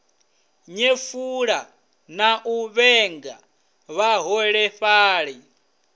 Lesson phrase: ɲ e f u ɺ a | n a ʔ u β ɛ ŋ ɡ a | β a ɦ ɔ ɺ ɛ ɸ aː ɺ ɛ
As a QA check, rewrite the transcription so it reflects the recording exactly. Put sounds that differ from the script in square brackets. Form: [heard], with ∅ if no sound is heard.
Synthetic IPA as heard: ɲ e f u ɺ a | n a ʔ u β ɛ ŋ ɡ a | β a ɦ ɔ ɺ ɛ ɸ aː ɺ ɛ